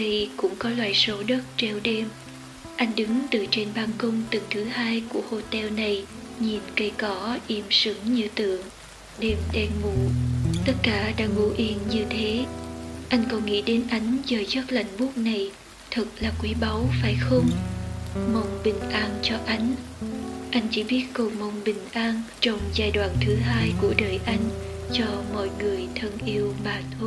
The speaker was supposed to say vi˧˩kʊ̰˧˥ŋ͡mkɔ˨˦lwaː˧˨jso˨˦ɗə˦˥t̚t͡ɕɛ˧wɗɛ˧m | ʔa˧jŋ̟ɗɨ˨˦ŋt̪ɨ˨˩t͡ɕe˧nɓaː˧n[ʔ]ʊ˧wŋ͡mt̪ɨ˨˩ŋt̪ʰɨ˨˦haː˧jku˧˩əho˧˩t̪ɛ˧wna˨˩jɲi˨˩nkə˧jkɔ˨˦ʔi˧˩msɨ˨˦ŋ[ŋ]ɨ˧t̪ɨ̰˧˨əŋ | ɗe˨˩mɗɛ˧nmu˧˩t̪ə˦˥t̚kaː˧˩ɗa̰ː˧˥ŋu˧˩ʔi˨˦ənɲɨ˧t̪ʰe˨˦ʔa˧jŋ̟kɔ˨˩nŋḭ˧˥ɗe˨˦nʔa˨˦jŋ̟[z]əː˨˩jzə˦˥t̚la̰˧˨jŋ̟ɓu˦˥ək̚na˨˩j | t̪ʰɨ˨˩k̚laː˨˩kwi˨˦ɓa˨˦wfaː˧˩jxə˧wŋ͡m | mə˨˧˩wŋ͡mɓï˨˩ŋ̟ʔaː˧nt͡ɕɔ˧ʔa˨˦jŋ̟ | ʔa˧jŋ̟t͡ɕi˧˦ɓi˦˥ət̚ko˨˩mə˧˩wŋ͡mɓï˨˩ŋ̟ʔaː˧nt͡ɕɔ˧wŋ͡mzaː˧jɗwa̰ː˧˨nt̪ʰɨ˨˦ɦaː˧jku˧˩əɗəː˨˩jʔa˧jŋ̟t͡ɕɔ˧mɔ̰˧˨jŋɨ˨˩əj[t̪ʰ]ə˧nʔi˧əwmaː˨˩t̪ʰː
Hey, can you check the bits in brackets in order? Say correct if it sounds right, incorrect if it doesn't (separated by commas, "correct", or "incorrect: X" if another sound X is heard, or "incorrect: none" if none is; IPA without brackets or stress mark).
incorrect: k, incorrect: ɲ, correct, correct